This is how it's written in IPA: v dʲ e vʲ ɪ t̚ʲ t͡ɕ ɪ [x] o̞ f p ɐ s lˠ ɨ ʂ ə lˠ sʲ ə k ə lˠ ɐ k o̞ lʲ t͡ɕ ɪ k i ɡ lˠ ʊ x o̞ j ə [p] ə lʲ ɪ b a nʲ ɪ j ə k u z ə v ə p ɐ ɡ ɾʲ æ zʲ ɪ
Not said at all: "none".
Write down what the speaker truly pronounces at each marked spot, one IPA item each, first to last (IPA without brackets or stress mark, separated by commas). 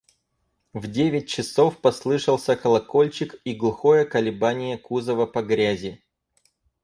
s, k